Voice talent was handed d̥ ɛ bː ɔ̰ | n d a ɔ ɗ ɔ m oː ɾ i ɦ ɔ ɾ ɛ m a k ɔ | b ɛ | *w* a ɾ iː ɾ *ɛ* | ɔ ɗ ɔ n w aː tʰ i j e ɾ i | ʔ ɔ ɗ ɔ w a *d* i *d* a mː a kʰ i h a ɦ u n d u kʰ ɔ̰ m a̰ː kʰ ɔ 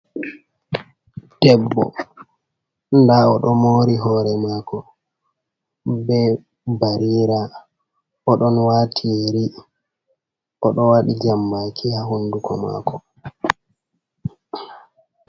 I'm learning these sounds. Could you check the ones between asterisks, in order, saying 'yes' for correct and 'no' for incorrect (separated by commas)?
no, no, no, no